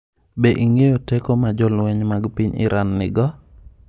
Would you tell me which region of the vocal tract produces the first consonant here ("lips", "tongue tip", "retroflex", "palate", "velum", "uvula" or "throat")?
lips